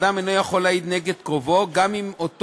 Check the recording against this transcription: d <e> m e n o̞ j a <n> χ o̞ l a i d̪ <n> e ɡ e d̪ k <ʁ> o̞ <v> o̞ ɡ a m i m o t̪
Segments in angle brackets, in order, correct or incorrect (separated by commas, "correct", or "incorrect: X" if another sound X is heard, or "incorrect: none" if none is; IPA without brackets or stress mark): incorrect: a, incorrect: none, correct, correct, correct